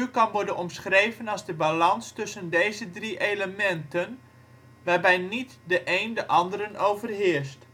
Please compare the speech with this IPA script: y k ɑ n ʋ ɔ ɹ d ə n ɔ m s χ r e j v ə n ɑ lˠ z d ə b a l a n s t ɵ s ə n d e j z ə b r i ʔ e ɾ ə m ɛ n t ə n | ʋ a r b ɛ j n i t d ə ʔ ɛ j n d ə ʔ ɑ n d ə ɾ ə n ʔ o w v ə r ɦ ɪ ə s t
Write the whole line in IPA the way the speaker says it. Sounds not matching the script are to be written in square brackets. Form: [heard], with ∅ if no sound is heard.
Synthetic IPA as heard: y k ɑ n ʋ ɔ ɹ d ə n ɔ m s χ r e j v ə n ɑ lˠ z d ə b a l [ɑ] n s t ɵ s ə n d e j z ə [d] r i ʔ e [l] ə m ɛ n t ə n | ʋ a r b ɛ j n i t d ə ʔ [e] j n d ə ʔ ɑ n d ə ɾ ə n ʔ o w v ə r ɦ ɪ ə s t